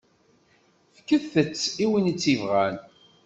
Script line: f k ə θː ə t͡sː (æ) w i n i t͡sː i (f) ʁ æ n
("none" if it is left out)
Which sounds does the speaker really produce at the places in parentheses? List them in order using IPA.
i, v

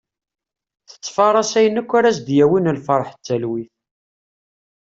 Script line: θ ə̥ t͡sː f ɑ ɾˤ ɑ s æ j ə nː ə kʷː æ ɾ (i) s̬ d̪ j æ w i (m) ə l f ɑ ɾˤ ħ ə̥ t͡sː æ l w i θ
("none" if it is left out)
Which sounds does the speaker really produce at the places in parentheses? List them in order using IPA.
æ, n

